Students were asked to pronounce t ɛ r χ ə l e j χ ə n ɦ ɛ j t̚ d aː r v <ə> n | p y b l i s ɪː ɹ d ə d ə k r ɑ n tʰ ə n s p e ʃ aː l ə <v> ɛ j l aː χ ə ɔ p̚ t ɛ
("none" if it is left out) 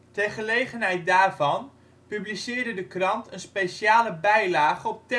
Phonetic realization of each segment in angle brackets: ɑ, b

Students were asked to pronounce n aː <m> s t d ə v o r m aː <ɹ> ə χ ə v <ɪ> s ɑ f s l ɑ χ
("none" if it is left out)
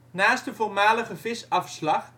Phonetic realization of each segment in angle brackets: none, l, ɪ

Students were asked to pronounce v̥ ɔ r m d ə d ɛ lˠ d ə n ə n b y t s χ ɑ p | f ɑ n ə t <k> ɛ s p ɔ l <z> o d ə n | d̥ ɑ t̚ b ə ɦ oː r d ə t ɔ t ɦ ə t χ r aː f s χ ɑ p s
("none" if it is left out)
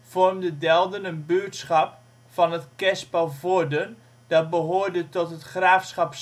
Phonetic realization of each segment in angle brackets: k, v

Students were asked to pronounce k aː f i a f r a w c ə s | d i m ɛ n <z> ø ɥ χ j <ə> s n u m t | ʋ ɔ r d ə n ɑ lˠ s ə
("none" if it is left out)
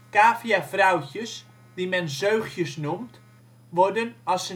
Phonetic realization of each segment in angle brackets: z, ə

